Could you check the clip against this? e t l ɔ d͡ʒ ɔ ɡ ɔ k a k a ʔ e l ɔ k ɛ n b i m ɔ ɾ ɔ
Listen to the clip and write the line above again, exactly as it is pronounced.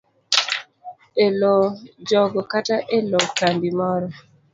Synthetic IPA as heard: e l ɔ d͡ʒ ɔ ɡ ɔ k a t a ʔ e l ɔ k a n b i m ɔ ɾ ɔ